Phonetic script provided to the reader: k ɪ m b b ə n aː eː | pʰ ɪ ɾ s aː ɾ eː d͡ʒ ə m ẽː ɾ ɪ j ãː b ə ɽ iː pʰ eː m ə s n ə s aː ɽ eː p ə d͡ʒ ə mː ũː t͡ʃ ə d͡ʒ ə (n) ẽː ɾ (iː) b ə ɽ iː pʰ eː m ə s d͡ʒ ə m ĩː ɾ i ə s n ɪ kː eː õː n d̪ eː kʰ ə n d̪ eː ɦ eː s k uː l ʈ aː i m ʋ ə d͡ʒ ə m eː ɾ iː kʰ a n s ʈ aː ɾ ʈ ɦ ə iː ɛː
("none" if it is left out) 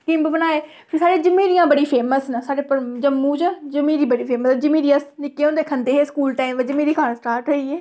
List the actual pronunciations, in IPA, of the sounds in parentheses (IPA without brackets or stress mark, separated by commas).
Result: m, iː